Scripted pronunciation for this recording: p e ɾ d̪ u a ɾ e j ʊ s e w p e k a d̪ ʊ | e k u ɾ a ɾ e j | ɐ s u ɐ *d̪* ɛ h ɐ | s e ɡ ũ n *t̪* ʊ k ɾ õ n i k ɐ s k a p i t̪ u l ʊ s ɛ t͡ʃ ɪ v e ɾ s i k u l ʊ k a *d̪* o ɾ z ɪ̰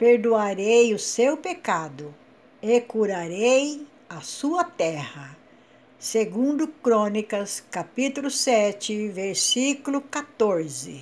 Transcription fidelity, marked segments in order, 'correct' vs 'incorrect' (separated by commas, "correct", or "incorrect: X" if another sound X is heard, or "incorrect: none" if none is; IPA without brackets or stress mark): incorrect: t̪, incorrect: d̪, incorrect: t̪